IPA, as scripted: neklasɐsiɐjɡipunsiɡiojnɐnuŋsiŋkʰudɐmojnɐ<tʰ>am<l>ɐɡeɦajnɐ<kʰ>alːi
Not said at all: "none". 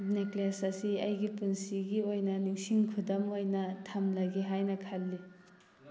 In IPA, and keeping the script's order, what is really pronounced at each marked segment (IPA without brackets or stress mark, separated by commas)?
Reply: tʰ, l, kʰ